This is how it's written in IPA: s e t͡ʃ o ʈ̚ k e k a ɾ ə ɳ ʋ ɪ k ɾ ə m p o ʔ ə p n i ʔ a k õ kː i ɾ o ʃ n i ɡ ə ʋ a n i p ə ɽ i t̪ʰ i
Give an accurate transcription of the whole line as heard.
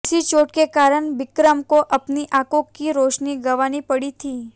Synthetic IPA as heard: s i t͡ʃ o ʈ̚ k e k a ɾ ə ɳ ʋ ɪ k ɾ ə m k o ʔ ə p n i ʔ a k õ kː i ɾ o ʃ n i ɡ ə ʋ a n i p ə ɽ i t̪ʰ i